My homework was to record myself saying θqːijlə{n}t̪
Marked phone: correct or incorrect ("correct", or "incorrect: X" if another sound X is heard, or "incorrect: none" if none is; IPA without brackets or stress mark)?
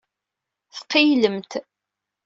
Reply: incorrect: m